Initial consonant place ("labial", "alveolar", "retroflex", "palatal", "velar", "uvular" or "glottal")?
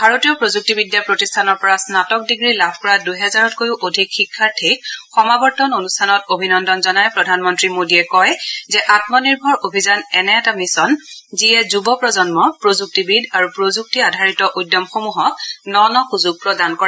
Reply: labial